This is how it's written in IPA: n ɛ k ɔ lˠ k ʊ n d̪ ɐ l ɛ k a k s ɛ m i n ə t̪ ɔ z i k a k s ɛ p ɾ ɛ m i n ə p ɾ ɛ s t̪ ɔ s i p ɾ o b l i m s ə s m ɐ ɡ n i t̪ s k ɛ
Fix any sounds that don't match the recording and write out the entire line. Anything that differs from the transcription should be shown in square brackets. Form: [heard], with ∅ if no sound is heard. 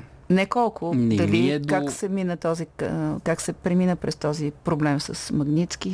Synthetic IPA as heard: n ɛ k ɔ lˠ k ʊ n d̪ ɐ l [i] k a k s ɛ m i n ə t̪ ɔ z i k a k s ɛ p ɾ ɛ m i n ə p ɾ ɛ s t̪ ɔ [z] i p ɾ o b l [ɛ] m s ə s m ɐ ɡ n i t̪ s k [i]